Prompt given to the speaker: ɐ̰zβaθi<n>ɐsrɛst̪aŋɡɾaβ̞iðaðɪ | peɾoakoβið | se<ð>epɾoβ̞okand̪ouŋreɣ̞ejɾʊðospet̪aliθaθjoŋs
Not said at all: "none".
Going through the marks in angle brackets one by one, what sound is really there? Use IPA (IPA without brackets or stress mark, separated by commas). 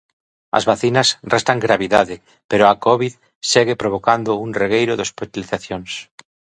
n, ɣ